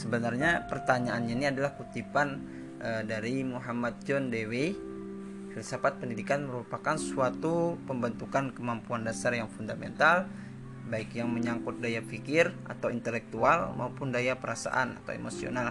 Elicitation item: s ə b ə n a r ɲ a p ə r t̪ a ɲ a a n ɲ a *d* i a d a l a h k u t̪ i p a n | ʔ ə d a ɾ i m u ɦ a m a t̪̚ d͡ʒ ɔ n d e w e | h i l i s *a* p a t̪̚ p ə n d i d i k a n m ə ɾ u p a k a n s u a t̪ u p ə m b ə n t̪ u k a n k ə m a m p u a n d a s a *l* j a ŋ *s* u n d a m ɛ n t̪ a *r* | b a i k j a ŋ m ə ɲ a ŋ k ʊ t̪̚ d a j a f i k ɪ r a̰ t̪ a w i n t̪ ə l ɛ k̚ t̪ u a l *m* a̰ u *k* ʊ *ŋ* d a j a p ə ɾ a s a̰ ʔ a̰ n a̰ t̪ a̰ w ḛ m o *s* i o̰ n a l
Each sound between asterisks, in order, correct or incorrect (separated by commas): incorrect, correct, incorrect, incorrect, incorrect, correct, incorrect, incorrect, correct